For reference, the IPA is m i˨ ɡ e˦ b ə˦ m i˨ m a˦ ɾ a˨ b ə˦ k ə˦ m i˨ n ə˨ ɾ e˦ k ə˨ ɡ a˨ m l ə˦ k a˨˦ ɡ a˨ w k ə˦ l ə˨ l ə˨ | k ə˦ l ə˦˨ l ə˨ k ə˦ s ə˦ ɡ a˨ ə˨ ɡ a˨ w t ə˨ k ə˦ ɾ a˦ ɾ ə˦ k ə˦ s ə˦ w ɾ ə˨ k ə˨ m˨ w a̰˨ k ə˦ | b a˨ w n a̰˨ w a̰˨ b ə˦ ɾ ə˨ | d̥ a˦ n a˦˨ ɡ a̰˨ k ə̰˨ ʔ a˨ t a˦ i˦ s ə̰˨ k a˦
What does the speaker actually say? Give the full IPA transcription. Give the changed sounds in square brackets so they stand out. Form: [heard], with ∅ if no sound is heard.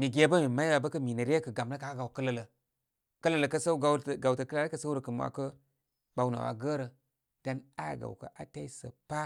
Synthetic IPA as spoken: m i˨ ɡ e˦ b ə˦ m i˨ m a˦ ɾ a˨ b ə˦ k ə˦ m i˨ n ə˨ ɾ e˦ k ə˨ ɡ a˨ m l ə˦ k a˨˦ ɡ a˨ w k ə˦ l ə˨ l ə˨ | k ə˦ l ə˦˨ l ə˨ k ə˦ s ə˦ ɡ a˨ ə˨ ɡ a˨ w t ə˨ k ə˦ [l] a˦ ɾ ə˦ k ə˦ s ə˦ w ɾ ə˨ k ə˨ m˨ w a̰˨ k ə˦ | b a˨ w n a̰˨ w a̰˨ [ɡ] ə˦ ɾ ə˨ | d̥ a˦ n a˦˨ ɡ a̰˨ k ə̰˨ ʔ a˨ t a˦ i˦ s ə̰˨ [p] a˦